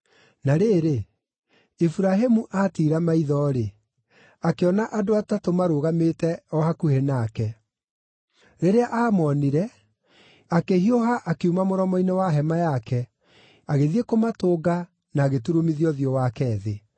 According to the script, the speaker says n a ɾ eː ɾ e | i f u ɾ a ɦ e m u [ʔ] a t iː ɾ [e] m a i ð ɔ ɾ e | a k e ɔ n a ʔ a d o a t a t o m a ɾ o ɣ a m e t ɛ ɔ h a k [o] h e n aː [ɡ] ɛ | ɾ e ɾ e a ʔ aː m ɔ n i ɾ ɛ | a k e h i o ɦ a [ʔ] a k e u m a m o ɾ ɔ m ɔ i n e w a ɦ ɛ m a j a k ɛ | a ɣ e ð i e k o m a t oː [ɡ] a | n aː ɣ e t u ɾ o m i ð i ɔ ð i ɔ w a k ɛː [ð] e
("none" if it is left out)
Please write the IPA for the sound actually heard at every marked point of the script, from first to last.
ʔ, a, u, k, ʔ, ɡ, ð

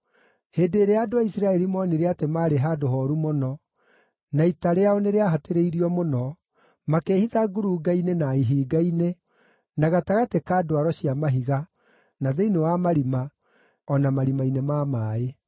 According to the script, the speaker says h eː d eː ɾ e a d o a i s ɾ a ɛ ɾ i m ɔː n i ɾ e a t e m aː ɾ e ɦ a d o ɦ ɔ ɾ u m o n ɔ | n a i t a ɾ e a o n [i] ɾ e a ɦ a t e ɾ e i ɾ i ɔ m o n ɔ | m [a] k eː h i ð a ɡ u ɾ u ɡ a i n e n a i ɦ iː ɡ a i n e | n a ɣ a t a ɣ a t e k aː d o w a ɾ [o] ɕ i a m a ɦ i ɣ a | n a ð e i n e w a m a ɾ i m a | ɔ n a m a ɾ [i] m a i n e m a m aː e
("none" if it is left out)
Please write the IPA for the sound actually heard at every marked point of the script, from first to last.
e, a, ɔ, i

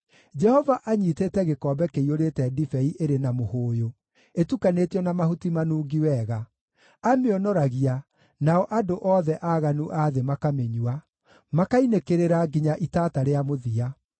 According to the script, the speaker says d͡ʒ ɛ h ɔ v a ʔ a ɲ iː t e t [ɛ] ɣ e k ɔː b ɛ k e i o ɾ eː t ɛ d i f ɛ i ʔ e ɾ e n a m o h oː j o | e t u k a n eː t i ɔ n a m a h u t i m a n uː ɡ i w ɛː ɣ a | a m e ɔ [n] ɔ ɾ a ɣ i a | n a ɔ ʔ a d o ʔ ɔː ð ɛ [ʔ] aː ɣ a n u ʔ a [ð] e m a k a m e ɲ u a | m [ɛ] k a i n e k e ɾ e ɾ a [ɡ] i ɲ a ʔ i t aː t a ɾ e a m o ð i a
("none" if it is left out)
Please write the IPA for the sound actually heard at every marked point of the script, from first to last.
ɛ, n, ʔ, ð, a, ɡ

